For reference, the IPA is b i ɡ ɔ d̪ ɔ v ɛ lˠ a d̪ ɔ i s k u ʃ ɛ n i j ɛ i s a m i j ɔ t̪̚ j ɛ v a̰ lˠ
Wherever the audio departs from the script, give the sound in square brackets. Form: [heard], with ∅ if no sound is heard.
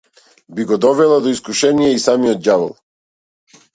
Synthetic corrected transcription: b i ɡ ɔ d̪ ɔ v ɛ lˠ a d̪ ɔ i s k u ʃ ɛ n i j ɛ i s a m i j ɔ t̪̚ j [a] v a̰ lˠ